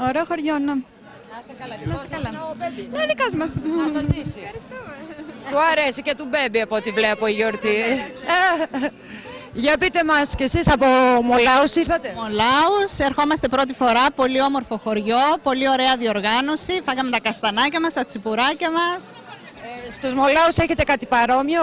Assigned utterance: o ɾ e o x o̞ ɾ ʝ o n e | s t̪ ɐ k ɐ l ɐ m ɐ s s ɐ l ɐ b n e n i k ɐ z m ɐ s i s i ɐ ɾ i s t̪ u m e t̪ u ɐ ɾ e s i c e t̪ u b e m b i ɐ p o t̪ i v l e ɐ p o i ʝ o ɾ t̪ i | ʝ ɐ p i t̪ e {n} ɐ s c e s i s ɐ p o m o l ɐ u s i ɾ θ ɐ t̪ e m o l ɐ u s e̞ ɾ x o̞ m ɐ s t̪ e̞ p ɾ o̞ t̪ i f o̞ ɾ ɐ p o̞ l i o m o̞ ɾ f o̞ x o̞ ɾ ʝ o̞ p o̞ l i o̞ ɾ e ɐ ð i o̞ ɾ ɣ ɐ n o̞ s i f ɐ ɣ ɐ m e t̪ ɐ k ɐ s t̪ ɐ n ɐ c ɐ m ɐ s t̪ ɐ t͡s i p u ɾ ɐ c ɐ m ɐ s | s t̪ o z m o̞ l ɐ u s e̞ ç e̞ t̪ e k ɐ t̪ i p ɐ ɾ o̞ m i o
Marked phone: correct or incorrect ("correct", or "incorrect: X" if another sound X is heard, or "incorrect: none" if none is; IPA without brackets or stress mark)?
incorrect: m